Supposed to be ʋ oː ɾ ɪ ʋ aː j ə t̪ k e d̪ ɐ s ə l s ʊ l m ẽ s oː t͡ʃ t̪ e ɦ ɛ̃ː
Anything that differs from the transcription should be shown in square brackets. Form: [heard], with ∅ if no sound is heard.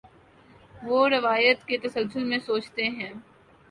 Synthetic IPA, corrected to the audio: ʋ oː ɾ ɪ ʋ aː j ə t̪ k e [t̪] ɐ s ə l s ʊ l m ẽ s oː t͡ʃ t̪ e ɦ ɛ̃ː